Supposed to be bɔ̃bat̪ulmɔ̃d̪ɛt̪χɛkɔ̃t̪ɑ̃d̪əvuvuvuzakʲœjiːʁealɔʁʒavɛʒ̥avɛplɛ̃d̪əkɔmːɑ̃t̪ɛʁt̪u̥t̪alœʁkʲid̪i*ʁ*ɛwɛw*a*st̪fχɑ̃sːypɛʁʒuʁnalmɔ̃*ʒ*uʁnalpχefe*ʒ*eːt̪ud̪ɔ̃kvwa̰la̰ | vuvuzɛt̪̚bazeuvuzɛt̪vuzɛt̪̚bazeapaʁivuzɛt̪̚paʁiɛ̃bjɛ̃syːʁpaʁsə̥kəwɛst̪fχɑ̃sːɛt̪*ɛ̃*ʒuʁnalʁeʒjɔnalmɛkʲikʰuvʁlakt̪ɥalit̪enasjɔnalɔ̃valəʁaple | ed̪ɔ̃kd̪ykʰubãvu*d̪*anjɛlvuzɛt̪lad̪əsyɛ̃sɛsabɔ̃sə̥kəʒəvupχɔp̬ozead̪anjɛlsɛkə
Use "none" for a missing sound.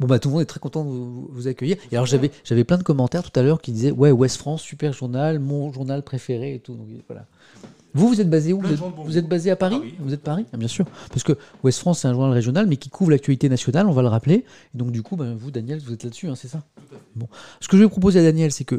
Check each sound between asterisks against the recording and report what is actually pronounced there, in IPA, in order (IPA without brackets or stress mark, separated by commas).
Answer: z, ɛ, ʒ, ʁ, ɛ̃, d̪